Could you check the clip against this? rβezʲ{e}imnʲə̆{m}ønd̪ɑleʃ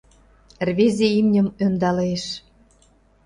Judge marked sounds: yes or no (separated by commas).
yes, yes